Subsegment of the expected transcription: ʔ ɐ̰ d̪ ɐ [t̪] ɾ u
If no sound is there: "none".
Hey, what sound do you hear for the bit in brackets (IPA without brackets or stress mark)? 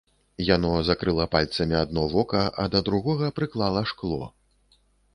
d̪